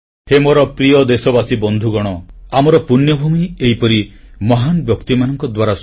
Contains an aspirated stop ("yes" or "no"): no